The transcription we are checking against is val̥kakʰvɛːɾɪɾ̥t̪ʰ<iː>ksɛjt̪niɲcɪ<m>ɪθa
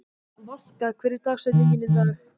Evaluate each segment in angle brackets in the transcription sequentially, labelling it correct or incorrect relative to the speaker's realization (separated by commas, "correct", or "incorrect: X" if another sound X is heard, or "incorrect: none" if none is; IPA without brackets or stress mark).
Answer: incorrect: aː, incorrect: n